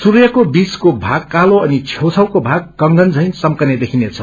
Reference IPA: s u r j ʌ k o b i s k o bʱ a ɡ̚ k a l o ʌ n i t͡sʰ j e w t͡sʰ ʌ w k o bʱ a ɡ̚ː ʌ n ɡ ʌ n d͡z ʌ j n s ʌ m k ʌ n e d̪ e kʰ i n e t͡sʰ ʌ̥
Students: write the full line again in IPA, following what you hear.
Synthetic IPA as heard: s u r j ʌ k o b i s k o bʱ a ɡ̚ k a l o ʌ n i t͡sʰ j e w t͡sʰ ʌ w k o bʱ a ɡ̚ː ʌ ŋ ɡ ʌ n d͡z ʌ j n s ʌ m k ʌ n e d̪ e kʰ i n e t͡sʰ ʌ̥